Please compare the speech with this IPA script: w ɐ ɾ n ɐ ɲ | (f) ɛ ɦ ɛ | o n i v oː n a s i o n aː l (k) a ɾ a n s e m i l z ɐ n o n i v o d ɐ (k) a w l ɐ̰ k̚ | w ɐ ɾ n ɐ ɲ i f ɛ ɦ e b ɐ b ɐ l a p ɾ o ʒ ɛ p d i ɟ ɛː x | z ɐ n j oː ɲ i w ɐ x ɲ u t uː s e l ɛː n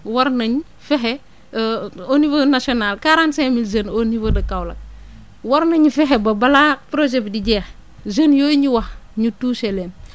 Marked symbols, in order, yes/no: yes, yes, yes

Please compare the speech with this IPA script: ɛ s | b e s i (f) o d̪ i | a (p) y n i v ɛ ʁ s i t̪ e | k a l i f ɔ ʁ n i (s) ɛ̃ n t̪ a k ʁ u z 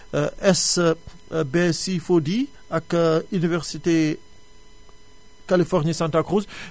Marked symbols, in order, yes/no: yes, no, yes

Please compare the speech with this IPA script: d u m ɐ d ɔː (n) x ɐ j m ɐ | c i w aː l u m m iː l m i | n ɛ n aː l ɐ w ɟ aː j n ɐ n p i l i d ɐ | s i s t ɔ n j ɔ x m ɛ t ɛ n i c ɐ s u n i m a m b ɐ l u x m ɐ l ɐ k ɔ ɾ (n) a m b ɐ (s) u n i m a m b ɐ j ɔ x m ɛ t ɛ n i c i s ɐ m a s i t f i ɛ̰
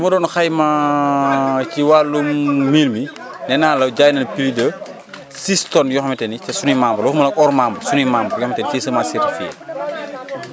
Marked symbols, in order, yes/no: yes, no, yes

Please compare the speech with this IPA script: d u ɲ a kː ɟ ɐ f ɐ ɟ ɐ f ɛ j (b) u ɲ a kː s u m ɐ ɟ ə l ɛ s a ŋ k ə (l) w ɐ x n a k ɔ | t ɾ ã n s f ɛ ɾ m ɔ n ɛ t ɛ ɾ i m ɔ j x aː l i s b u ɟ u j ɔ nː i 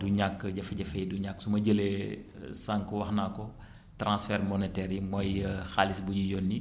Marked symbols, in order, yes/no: no, no

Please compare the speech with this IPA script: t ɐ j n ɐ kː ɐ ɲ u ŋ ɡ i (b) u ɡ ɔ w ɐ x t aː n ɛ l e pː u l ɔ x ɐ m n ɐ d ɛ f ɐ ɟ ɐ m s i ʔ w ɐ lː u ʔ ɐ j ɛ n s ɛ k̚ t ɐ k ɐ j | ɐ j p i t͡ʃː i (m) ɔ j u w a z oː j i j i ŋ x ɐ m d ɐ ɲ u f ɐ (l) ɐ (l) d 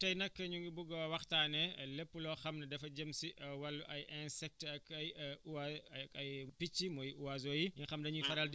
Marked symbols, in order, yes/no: yes, yes, no, yes

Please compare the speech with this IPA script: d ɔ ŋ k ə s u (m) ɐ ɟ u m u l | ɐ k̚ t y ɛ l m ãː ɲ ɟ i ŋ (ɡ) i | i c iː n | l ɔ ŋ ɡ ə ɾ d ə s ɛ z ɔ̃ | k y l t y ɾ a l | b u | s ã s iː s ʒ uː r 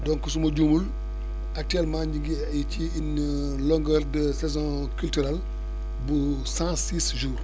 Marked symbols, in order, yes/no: yes, yes

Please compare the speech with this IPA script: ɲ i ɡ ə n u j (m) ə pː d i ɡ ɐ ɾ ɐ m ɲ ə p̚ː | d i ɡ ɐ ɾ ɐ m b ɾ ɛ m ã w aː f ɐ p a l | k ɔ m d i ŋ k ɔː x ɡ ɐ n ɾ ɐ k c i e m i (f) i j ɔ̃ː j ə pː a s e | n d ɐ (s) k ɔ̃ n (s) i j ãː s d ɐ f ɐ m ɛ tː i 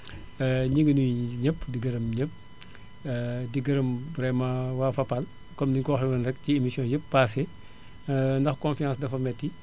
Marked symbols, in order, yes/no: no, no, no, no

